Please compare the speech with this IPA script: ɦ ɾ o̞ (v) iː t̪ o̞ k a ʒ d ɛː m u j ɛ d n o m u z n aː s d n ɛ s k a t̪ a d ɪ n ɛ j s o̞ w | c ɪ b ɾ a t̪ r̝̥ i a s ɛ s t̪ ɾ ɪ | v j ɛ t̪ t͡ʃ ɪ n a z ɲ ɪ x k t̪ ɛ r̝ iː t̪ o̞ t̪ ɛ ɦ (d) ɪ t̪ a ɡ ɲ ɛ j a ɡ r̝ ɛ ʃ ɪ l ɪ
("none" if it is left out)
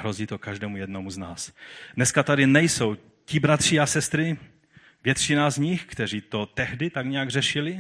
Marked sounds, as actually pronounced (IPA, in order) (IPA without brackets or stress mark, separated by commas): z, d